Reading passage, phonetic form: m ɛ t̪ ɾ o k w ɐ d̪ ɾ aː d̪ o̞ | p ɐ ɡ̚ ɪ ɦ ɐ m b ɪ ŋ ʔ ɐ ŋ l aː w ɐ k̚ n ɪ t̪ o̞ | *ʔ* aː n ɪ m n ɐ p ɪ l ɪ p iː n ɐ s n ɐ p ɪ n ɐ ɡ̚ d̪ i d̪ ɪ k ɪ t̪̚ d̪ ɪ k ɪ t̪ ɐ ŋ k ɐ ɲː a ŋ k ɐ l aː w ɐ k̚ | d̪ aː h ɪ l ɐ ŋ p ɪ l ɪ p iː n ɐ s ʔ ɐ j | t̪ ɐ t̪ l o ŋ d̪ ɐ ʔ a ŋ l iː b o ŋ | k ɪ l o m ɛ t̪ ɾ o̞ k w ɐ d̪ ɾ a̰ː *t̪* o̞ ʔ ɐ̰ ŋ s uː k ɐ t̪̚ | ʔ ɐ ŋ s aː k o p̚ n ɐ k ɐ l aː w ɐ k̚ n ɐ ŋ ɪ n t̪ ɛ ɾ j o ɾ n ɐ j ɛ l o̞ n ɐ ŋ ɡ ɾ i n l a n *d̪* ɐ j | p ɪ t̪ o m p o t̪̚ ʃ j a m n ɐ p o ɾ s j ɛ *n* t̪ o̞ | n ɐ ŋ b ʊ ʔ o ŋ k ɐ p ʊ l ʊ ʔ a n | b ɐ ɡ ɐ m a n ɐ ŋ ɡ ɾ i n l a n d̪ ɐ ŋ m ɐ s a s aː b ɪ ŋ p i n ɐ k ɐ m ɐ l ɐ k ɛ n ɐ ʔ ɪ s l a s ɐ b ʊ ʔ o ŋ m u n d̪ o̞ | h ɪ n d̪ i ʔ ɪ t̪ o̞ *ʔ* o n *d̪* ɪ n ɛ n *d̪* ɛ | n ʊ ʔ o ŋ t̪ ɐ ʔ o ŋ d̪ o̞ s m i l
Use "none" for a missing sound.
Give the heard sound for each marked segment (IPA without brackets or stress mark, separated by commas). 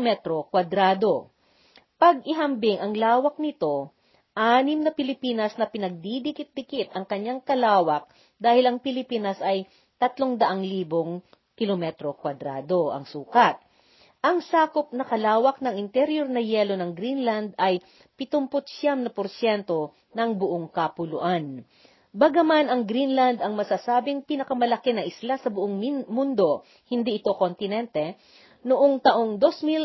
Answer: ʔ, d̪, d̪, n, k, t̪, t̪